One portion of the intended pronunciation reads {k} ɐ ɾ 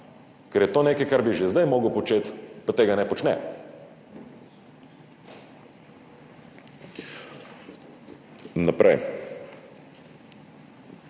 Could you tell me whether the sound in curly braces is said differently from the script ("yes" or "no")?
no